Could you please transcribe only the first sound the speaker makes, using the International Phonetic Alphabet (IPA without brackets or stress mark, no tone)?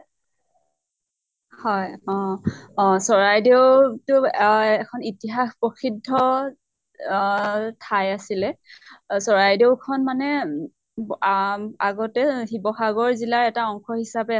h